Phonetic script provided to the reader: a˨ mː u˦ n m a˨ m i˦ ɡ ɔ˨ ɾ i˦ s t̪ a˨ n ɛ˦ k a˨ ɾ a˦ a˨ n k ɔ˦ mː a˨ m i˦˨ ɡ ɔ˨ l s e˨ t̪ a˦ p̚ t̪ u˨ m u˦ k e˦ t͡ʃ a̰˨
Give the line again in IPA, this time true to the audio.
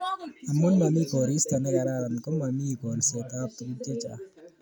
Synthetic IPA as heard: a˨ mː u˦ n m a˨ m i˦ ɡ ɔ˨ ɾ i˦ s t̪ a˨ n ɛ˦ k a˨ ɾ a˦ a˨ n k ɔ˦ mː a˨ m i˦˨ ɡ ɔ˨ l s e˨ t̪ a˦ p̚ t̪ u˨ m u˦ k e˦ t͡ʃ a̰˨